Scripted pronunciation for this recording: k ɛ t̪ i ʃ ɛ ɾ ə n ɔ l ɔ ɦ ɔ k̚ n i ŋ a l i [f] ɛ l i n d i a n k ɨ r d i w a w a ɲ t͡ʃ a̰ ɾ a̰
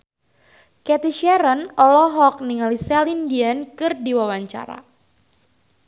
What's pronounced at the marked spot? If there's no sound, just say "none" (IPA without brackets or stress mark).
s